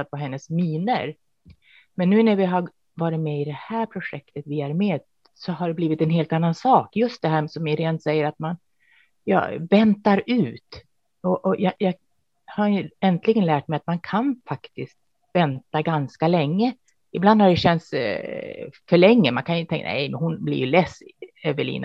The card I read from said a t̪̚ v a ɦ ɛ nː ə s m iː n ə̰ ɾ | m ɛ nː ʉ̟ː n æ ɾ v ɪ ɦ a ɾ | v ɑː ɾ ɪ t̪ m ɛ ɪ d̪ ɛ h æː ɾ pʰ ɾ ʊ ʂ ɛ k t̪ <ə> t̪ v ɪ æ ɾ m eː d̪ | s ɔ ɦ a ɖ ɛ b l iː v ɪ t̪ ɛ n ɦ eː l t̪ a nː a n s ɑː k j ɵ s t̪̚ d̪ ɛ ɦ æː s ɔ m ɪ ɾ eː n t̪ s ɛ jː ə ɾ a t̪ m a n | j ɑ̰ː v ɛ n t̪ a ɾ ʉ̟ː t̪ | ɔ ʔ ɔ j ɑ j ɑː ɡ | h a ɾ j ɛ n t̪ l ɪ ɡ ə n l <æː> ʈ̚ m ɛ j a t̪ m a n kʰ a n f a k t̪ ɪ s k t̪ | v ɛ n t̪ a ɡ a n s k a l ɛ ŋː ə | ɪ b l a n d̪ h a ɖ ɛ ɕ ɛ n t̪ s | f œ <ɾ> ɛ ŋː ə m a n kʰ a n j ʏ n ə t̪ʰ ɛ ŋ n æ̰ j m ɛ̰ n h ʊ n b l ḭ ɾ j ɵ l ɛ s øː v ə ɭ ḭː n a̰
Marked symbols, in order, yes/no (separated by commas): yes, yes, no